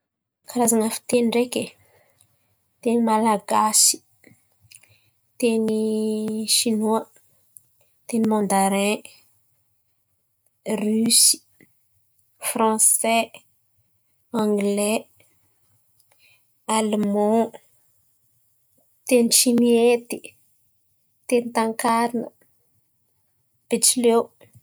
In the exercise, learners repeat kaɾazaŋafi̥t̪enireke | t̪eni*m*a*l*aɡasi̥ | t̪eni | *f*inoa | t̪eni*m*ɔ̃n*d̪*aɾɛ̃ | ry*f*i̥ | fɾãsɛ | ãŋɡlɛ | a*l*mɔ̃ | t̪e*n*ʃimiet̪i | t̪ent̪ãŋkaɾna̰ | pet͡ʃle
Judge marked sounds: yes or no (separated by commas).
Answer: yes, yes, no, yes, yes, no, yes, yes